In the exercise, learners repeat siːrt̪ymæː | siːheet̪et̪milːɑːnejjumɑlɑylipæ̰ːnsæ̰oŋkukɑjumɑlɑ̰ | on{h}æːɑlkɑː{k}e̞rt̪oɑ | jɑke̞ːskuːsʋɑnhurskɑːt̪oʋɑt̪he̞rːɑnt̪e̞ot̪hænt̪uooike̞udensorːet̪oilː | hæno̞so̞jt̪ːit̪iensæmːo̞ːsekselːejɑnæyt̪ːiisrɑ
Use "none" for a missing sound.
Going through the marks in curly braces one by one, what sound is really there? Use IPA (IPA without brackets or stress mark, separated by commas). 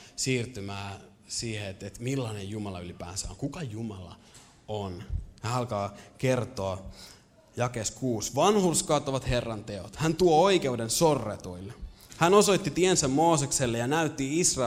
h, k